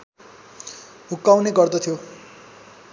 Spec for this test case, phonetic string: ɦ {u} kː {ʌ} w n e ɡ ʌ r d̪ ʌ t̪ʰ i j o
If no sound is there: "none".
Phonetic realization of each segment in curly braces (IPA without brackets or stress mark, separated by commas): u, a